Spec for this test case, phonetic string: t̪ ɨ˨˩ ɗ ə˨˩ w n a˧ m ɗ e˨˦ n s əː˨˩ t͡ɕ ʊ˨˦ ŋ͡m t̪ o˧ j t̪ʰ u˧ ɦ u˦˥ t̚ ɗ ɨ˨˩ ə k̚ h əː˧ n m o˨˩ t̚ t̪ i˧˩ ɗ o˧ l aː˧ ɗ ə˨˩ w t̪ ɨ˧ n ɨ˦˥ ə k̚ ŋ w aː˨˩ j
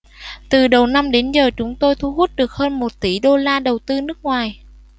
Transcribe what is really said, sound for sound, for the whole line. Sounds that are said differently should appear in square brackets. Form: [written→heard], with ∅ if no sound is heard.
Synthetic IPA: t̪ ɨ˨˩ ɗ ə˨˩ w n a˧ m ɗ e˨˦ n [s→z] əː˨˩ t͡ɕ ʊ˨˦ ŋ͡m t̪ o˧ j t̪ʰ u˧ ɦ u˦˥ t̚ ɗ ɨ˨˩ ə k̚ h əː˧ n m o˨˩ t̚ t̪ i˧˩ ɗ o˧ l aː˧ ɗ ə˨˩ w t̪ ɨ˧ n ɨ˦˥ ə k̚ ŋ w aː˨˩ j

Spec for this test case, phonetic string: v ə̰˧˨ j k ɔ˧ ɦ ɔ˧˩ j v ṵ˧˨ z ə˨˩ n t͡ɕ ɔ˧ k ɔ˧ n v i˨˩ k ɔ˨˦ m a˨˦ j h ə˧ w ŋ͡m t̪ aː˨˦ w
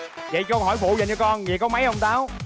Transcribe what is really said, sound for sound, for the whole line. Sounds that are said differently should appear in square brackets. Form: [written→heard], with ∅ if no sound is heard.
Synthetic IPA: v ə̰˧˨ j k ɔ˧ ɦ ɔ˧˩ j [v→f] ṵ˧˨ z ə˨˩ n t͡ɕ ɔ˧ k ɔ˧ n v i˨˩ k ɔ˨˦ m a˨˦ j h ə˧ w ŋ͡m t̪ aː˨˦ w

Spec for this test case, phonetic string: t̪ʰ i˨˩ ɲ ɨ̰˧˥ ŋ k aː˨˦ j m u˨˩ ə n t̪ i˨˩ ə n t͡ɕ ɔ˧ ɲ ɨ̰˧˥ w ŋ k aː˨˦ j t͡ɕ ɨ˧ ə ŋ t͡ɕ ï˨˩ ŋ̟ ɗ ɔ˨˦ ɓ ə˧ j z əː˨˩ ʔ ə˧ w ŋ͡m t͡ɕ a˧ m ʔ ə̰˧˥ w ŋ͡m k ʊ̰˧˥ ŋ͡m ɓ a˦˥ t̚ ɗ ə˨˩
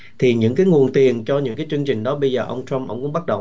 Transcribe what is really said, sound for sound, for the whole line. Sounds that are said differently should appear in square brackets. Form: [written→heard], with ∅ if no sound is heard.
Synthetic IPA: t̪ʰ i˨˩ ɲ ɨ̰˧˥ ŋ k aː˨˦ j [m→ŋ] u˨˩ ə n t̪ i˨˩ ə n t͡ɕ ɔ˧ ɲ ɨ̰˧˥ [w→∅] ŋ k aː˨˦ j t͡ɕ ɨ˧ ə ŋ t͡ɕ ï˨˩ ŋ̟ ɗ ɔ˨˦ ɓ ə˧ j z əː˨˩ ʔ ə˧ w ŋ͡m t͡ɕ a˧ m ʔ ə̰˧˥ w ŋ͡m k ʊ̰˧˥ ŋ͡m ɓ a˦˥ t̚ ɗ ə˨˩

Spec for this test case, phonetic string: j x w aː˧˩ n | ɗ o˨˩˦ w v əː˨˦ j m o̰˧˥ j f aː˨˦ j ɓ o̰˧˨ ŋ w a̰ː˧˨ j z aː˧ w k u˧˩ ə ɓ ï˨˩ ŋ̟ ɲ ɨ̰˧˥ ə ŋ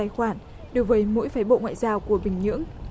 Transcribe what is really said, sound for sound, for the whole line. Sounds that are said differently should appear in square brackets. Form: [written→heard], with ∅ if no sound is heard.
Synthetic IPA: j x w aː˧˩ n | ɗ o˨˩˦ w v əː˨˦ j m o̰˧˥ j f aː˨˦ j ɓ o̰˧˨ ŋ w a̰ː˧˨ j z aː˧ w k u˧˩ ə ɓ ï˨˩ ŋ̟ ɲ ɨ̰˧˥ ə ŋ

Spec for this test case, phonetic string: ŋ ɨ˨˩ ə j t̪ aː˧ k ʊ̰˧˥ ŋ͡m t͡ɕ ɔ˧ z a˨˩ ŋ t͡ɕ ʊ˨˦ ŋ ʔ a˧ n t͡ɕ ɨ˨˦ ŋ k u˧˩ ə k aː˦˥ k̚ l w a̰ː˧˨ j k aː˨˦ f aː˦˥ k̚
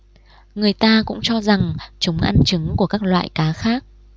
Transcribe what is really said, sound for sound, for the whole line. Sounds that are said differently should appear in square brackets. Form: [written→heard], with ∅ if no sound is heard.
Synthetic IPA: ŋ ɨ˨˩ ə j t̪ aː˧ k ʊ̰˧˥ ŋ͡m t͡ɕ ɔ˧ z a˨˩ ŋ t͡ɕ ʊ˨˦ [ŋ→ŋ͡m] ʔ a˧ n t͡ɕ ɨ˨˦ ŋ k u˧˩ ə k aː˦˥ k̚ l w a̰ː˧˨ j k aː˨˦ [f→x] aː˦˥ k̚

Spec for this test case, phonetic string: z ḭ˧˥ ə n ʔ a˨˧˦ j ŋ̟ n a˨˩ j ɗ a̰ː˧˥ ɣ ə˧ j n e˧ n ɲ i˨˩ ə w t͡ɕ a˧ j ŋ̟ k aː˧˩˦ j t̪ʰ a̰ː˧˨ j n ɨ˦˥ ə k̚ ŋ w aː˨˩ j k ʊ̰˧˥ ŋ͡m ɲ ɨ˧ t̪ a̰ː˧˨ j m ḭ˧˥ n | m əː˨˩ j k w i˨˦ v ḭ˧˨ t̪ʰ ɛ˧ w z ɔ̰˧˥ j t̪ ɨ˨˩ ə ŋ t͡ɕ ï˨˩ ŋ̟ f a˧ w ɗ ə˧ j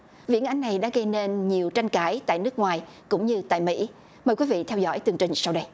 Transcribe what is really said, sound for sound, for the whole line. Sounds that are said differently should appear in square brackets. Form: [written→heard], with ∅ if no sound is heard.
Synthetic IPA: [z→v] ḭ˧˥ ə n ʔ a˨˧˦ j ŋ̟ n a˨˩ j ɗ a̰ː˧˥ ɣ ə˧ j n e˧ n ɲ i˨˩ ə w t͡ɕ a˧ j ŋ̟ k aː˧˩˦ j [t̪ʰ→t̪] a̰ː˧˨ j n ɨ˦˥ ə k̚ ŋ w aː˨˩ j k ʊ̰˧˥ ŋ͡m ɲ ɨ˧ t̪ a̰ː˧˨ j m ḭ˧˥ [n→∅] | m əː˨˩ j k w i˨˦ v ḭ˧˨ t̪ʰ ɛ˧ w z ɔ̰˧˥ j t̪ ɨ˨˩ ə ŋ t͡ɕ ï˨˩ ŋ̟ [f→s] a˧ w ɗ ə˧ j

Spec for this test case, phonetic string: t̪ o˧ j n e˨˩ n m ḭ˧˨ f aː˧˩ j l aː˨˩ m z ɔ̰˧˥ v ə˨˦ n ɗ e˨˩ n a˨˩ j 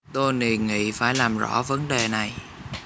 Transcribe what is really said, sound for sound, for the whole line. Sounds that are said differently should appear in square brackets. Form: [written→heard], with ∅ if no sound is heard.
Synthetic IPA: t̪ o˧ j n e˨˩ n [m→ŋ] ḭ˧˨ f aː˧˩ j l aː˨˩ m z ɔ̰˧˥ v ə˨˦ n ɗ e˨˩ n a˨˩ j

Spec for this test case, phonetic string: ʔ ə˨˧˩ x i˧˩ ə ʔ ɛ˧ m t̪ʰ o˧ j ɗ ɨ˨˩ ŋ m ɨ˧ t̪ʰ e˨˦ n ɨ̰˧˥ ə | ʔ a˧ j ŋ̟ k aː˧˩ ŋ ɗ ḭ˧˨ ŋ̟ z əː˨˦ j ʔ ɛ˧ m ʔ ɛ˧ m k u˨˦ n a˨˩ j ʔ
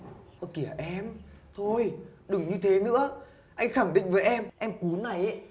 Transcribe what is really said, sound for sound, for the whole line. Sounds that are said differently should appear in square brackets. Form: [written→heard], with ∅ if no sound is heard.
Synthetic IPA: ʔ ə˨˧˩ [x→k] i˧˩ ə ʔ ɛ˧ m t̪ʰ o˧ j ɗ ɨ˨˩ ŋ [m→ɲ] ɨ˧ t̪ʰ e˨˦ n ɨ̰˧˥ ə | ʔ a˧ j ŋ̟ [k→x] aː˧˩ ŋ ɗ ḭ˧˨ ŋ̟ [z→v] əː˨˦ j ʔ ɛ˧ m ʔ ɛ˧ m k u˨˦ n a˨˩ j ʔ

